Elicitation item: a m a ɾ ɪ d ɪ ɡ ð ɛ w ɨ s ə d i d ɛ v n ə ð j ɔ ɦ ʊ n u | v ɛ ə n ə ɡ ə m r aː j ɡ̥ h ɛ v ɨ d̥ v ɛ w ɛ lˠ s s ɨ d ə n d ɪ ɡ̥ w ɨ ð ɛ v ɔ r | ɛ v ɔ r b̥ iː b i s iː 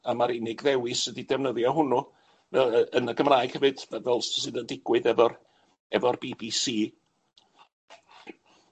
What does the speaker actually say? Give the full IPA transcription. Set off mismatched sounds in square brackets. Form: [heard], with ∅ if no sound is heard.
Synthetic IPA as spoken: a m a ɾ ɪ [n] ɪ ɡ ð ɛ w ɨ s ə d i d ɛ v n ə ð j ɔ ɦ ʊ n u | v ɛ ə n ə ɡ ə m r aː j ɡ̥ h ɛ v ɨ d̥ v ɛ [v] ɛ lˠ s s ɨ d ə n d ɪ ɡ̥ w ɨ ð ɛ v ɔ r | ɛ v ɔ r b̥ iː b i s iː